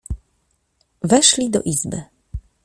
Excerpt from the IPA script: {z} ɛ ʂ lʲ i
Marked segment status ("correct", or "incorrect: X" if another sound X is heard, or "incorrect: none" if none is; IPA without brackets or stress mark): incorrect: v